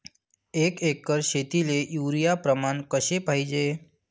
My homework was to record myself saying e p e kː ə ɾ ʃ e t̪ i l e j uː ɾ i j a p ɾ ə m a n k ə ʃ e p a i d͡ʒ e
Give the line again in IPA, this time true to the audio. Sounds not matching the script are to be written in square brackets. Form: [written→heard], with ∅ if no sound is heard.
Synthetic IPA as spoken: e [p→k] e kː ə ɾ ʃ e t̪ i l e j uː ɾ i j a p ɾ ə m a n k ə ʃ e p a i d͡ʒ e